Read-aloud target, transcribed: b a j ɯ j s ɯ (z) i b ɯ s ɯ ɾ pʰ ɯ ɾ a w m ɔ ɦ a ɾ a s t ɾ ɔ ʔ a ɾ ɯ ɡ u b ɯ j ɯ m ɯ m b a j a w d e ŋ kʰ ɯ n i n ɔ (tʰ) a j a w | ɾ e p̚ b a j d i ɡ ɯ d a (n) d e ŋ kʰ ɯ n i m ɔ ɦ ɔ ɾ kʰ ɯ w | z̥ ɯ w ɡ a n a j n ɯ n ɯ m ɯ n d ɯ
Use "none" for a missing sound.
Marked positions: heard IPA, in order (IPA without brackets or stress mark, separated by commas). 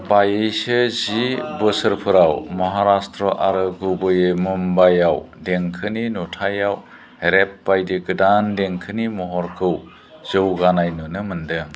z, tʰ, n